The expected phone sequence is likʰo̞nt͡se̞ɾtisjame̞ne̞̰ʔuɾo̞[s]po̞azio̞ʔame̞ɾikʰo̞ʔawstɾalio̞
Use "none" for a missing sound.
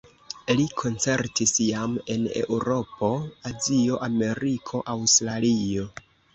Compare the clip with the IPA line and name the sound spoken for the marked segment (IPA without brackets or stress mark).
none